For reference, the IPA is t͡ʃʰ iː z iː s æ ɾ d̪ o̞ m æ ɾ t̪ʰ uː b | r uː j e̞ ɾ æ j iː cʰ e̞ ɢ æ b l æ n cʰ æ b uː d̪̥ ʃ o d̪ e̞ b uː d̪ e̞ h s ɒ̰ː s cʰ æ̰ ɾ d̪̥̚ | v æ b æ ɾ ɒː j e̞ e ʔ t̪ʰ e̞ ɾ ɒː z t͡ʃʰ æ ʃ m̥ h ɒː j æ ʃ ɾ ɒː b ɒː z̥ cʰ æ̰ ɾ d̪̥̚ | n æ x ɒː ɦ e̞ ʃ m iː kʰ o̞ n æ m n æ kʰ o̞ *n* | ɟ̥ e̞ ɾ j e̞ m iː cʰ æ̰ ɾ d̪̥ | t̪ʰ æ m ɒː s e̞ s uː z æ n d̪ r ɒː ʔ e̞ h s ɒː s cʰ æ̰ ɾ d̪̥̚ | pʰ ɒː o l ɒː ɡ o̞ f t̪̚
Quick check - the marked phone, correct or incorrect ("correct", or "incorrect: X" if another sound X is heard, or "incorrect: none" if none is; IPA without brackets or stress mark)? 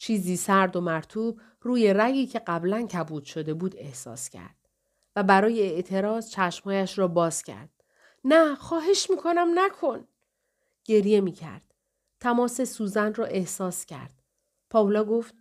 correct